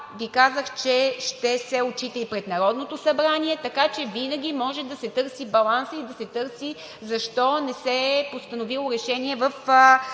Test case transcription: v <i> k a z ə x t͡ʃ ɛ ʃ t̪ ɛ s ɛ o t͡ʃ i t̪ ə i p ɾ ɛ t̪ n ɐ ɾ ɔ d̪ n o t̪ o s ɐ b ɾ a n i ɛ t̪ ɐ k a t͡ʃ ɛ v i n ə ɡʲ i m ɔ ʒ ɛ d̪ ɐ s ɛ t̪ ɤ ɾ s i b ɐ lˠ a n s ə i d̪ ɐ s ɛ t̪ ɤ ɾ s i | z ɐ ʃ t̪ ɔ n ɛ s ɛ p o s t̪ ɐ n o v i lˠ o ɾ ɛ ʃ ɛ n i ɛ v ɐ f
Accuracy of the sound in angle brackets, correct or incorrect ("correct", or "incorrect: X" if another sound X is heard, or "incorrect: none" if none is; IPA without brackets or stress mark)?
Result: correct